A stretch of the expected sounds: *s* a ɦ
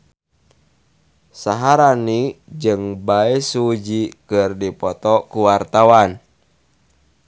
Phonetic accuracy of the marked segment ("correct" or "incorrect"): correct